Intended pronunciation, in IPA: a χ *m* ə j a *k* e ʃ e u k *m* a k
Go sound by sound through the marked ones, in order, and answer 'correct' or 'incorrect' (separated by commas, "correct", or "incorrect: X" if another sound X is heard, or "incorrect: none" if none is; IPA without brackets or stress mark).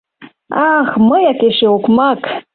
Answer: correct, correct, correct